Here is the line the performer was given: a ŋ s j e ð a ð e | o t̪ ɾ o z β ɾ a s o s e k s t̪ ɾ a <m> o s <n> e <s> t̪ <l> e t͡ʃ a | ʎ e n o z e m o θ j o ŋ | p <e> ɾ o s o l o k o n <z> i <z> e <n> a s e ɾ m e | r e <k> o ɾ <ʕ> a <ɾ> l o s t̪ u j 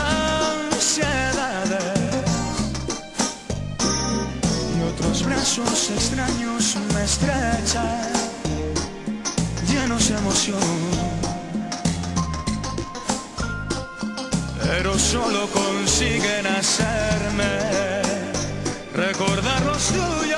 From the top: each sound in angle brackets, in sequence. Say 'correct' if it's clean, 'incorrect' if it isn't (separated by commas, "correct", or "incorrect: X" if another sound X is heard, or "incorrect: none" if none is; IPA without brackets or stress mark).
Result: incorrect: ɲ, incorrect: m, correct, incorrect: ɾ, correct, incorrect: s, incorrect: ɣ, correct, correct, incorrect: ð, correct